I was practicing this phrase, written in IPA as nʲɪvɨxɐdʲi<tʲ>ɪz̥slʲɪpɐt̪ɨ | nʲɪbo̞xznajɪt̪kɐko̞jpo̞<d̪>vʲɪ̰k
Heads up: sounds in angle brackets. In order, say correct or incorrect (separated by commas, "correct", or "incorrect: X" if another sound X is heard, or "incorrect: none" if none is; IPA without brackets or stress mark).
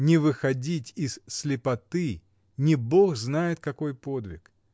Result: correct, correct